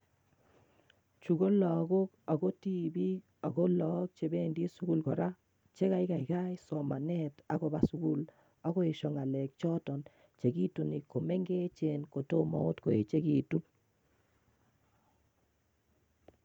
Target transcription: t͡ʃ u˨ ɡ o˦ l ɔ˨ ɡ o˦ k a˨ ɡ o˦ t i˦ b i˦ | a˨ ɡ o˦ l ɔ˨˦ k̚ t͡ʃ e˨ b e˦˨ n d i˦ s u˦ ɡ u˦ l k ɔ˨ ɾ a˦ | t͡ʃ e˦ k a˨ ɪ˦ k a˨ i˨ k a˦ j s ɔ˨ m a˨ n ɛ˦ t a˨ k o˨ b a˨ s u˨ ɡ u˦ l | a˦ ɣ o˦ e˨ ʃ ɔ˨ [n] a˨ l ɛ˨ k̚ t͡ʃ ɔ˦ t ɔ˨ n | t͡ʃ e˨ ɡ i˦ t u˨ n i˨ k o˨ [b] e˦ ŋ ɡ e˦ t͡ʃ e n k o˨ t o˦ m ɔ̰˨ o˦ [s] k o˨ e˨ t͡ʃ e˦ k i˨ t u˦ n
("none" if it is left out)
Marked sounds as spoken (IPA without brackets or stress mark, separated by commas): ŋ, m, t